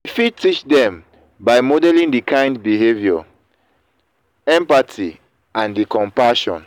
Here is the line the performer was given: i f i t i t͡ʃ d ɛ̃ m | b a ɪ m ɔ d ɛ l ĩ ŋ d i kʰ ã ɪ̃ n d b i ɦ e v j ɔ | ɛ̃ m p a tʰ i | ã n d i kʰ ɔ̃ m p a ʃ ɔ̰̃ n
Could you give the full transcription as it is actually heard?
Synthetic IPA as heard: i f i t i t͡ʃ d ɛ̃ m | b a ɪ m ɔ d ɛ l ĩ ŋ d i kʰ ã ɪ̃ n d b i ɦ e v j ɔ | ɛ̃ m p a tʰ i | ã n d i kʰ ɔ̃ m p a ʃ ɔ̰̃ n